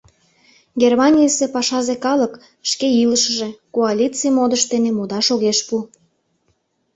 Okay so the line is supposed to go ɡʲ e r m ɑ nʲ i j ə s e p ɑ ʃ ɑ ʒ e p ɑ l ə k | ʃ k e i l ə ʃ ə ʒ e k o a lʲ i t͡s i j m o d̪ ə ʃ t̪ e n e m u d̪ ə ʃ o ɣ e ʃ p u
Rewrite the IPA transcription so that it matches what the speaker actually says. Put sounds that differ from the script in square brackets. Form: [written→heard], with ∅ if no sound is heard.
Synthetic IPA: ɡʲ e r m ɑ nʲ i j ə s e p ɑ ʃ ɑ [ʒ→z] e [p→k] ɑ l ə k | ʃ k e i l ə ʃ ə ʒ e k o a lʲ i t͡s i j m o d̪ ə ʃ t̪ e n e m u d̪ [ə→ɑ] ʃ o ɣ e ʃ p u